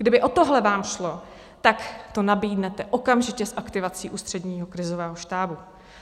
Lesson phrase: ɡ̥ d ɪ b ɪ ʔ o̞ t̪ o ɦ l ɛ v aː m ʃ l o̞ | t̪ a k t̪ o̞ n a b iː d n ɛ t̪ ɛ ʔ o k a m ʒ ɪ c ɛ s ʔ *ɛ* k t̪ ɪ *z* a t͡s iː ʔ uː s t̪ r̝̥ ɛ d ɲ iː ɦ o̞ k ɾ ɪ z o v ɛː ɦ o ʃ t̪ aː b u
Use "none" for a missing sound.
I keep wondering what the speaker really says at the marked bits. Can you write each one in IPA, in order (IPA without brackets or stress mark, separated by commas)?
a, v